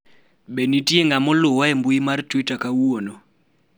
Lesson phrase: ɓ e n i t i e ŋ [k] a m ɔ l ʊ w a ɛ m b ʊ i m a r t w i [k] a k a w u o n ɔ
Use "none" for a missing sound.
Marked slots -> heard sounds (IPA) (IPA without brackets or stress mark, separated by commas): ɡ, t